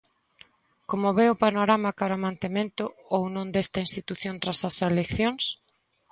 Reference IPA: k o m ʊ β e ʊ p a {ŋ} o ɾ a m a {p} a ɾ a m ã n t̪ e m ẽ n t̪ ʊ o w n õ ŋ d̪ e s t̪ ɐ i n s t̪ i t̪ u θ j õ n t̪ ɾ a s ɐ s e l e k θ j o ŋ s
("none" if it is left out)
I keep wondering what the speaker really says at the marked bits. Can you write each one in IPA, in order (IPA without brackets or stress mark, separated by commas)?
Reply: n, k